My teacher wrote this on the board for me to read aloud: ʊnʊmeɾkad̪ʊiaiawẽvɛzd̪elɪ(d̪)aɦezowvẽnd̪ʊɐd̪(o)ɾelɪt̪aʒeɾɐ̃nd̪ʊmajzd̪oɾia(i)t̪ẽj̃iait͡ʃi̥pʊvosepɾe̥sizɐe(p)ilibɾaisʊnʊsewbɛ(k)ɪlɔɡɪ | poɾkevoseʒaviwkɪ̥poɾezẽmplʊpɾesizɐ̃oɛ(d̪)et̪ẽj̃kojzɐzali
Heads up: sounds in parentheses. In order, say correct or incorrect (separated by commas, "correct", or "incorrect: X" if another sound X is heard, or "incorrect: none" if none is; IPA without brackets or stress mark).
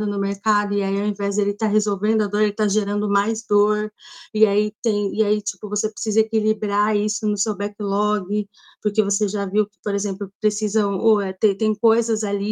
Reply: incorrect: t̪, correct, correct, incorrect: k, correct, incorrect: t̪